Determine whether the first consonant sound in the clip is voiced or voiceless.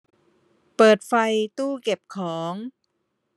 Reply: voiceless